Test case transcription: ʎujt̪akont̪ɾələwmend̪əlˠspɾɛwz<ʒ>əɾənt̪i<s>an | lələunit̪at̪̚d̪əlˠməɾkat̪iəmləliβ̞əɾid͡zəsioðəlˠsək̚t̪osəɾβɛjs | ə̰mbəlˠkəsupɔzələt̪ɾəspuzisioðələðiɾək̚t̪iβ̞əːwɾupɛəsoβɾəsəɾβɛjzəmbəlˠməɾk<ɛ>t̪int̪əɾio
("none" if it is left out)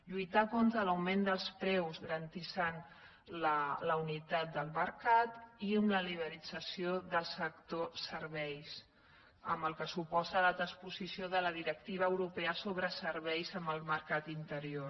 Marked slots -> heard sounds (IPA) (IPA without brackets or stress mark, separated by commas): ɣ, s, a